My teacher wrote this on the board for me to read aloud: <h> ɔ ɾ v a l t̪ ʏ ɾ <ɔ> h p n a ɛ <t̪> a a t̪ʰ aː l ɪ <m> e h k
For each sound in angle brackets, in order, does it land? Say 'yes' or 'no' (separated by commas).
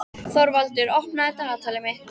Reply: no, yes, yes, yes